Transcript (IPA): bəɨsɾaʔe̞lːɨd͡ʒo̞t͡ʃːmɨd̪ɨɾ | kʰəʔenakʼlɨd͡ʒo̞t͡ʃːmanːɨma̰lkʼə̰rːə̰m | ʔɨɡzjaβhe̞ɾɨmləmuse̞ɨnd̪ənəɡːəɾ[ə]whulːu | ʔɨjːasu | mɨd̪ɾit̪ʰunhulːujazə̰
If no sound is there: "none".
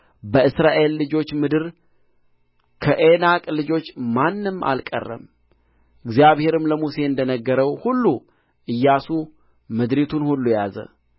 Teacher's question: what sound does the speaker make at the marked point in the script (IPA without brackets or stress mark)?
ə